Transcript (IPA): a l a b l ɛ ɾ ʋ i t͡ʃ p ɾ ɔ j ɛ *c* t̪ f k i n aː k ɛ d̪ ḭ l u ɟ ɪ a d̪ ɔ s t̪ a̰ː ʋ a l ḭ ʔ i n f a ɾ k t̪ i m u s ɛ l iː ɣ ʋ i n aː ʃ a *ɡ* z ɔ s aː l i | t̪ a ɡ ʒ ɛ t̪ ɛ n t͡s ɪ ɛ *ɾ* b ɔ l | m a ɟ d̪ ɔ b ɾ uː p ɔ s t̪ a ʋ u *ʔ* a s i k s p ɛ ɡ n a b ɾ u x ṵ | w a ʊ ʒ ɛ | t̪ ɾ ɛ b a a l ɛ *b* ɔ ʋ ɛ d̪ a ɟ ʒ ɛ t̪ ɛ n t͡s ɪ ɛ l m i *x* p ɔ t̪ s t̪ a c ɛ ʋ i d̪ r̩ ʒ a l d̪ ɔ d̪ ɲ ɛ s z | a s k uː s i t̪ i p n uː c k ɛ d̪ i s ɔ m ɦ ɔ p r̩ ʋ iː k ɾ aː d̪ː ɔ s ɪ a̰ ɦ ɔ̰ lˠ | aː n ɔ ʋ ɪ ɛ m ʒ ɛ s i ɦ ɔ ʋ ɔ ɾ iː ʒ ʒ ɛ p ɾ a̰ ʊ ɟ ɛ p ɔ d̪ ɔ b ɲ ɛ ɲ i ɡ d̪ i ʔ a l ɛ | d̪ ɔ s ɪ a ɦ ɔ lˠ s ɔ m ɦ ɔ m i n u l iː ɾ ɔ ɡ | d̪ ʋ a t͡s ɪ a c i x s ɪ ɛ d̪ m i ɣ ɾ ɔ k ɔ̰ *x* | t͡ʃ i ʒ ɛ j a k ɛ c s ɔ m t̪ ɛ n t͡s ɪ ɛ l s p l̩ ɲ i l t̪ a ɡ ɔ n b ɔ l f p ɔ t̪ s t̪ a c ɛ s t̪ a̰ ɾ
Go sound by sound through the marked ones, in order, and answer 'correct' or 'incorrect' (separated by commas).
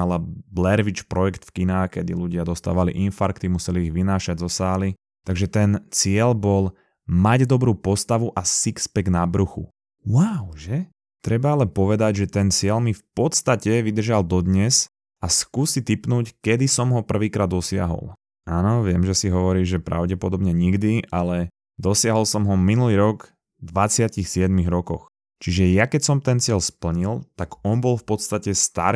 incorrect, incorrect, incorrect, correct, incorrect, incorrect, correct